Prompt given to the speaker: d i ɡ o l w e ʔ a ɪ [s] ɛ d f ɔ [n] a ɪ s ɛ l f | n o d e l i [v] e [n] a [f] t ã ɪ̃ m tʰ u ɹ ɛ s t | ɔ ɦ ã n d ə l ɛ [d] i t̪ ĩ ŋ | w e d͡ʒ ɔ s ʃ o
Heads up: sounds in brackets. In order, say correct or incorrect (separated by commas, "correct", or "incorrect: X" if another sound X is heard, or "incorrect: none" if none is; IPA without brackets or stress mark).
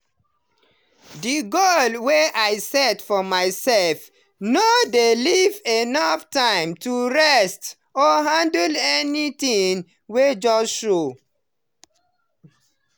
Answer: correct, incorrect: m, correct, correct, correct, incorrect: n